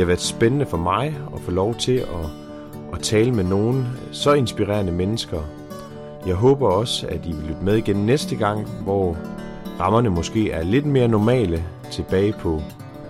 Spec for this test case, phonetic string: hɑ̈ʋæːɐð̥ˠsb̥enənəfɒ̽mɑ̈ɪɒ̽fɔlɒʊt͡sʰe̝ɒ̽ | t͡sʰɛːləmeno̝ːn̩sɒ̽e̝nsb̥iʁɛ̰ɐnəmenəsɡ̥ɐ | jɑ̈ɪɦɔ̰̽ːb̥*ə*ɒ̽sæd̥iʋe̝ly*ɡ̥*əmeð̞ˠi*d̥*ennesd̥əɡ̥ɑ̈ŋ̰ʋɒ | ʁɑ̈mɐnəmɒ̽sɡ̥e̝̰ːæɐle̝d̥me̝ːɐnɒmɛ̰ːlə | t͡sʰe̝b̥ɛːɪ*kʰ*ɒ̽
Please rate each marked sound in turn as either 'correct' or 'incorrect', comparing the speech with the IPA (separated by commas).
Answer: incorrect, incorrect, incorrect, incorrect